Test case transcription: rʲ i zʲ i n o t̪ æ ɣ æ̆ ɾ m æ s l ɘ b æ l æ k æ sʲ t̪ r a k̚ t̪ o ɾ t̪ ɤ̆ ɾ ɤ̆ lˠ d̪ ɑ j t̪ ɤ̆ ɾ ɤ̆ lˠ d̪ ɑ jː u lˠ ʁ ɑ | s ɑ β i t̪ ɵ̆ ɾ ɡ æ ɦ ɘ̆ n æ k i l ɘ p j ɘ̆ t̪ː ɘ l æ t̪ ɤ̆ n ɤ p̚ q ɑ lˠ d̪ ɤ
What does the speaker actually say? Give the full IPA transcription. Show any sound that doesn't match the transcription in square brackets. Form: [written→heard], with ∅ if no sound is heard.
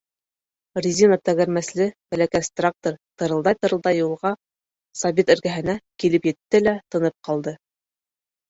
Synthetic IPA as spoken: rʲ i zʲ i n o t̪ æ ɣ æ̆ ɾ m æ s l ɘ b æ l æ k æ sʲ t̪ r a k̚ t̪ o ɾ t̪ ɤ̆ ɾ ɤ̆ lˠ d̪ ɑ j t̪ ɤ̆ ɾ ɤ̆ lˠ d̪ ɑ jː u lˠ ʁ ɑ | s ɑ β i t̪ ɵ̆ ɾ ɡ æ ɦ ɘ̆ n æ k i l ɘ p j ɘ̆ t̪ː ɘ l æ t̪ ɤ̆ n ɤ p̚ q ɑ lˠ d̪ ɤ

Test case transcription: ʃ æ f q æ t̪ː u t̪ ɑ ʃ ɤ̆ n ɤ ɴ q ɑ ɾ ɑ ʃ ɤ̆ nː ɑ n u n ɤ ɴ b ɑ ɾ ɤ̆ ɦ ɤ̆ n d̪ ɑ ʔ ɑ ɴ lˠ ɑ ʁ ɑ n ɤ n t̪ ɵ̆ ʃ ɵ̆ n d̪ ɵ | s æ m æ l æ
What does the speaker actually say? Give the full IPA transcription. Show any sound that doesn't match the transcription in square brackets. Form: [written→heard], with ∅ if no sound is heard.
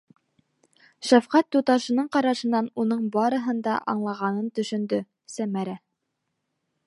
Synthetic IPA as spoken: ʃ æ f q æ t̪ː u t̪ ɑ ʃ ɤ̆ n ɤ ɴ q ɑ ɾ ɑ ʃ ɤ̆ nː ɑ n u n ɤ ɴ b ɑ ɾ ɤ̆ ɦ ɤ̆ n d̪ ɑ ʔ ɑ ɴ lˠ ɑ ʁ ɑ n ɤ n t̪ ɵ̆ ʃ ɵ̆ n d̪ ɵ | s æ m æ [l→ɾ] æ

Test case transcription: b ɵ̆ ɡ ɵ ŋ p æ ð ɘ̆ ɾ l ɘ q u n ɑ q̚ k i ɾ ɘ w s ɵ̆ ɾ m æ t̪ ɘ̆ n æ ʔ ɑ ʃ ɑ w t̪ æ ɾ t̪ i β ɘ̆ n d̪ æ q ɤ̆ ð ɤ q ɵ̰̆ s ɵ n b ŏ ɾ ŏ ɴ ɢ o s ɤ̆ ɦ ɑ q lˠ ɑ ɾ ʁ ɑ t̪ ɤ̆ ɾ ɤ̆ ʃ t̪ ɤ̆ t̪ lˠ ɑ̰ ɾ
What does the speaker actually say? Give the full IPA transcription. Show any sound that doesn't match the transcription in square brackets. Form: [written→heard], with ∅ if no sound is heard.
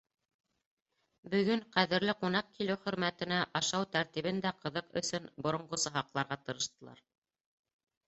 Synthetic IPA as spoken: b ɵ̆ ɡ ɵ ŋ [p→q] æ ð ɘ̆ ɾ l ɘ q u n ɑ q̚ k i [ɾ→l] ɘ w [s→χ] ɵ̆ ɾ m æ t̪ ɘ̆ n æ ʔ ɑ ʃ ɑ w t̪ æ ɾ t̪ i β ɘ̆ n d̪ æ q ɤ̆ ð ɤ q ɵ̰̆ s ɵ n b ŏ ɾ ŏ ɴ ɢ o s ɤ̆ ɦ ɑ q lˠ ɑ ɾ ʁ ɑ t̪ ɤ̆ ɾ ɤ̆ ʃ t̪ ɤ̆ [t̪→∅] lˠ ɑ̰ ɾ

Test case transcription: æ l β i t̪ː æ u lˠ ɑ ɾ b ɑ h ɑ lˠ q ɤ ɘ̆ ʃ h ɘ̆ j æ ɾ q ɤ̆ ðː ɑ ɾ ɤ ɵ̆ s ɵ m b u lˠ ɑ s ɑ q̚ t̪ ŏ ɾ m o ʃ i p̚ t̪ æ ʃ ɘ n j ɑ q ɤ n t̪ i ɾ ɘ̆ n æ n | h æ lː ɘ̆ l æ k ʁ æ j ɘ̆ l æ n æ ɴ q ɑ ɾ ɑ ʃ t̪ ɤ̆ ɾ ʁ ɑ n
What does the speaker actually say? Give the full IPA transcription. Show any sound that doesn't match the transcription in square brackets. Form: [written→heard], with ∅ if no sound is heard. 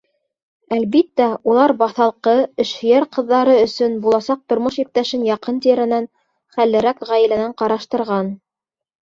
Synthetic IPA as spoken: æ l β i t̪ː æ u lˠ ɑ ɾ b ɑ [h→θ] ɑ lˠ q ɤ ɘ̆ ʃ h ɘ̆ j æ ɾ q ɤ̆ ðː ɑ ɾ ɤ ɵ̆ s ɵ [m→n] b u lˠ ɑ s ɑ q̚ t̪ ŏ ɾ m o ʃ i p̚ t̪ æ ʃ ɘ n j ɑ q ɤ n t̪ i ɾ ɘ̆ n æ n | [h→χ] æ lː ɘ̆ [l→ɾ] æ k ʁ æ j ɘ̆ l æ n æ ɴ q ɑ ɾ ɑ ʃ t̪ ɤ̆ ɾ ʁ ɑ n

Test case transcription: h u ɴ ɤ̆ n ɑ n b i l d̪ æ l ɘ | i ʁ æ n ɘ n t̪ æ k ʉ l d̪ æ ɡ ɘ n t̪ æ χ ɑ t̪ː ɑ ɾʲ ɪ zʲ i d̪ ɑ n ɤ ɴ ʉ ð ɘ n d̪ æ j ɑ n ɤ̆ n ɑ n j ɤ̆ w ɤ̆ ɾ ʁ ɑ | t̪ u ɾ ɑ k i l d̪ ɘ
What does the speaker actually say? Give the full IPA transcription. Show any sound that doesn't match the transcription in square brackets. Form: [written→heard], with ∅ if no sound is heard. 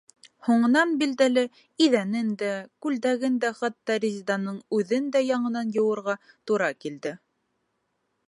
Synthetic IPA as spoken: h u ɴ ɤ̆ n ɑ n b i l d̪ æ l ɘ | i [ʁ→ð] æ n ɘ n [t̪→d̪] æ k ʉ l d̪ æ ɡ ɘ n [t̪→d̪] æ χ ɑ t̪ː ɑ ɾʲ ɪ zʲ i d̪ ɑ n ɤ ɴ ʉ ð ɘ n d̪ æ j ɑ [n→ɴ] ɤ̆ n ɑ n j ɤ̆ w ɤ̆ ɾ ʁ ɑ | t̪ u ɾ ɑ k i l d̪ ɘ

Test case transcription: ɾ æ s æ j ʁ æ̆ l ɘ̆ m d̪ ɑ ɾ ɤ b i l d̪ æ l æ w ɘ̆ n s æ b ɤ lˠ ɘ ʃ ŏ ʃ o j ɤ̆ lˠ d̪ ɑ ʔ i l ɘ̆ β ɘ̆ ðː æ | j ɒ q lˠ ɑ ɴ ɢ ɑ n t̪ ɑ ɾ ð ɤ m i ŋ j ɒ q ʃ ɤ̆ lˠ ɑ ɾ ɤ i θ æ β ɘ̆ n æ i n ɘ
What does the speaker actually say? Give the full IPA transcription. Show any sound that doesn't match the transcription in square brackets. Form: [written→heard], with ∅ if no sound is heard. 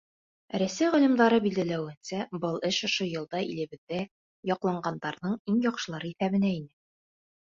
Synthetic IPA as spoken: ɾ æ s æ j ʁ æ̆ l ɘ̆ m d̪ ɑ ɾ ɤ b i l d̪ æ l æ w ɘ̆ n s æ b ɤ lˠ ɘ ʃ ŏ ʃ o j ɤ̆ lˠ d̪ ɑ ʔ i l ɘ̆ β ɘ̆ ðː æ | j ɒ q lˠ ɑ ɴ ɢ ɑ n [t̪→d̪] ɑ ɾ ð ɤ [m→ɴ] i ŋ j ɒ q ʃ ɤ̆ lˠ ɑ ɾ ɤ i θ æ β ɘ̆ n æ i n ɘ

